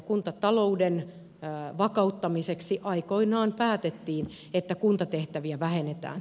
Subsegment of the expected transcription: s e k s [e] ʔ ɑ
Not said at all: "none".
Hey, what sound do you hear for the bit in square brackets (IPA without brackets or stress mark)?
i